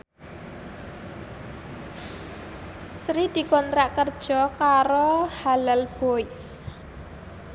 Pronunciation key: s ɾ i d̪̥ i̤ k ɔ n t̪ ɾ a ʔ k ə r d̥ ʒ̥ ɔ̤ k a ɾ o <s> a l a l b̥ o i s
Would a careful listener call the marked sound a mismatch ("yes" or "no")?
yes